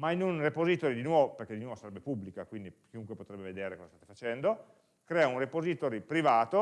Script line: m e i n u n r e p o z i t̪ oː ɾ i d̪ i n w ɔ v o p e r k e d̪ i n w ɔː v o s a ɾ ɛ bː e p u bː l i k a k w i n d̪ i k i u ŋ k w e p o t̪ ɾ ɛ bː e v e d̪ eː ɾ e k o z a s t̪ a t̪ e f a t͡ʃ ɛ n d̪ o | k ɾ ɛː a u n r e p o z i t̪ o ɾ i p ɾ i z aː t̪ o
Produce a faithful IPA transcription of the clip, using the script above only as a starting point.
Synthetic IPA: m a i n u n r e p o z i t̪ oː ɾ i d̪ i n w ɔ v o p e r k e d̪ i n w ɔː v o s a ɾ ɛ bː e p u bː l i k a k w i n d̪ i k i u ŋ k w e p o t̪ ɾ ɛ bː e v e d̪ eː ɾ e k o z a s t̪ a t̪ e f a t͡ʃ ɛ n d̪ o | k ɾ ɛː a u n r e p o z i t̪ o ɾ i p ɾ i v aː t̪ o